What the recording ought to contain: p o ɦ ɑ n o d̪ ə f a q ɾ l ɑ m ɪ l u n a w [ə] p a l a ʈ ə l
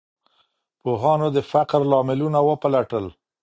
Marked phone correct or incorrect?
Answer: correct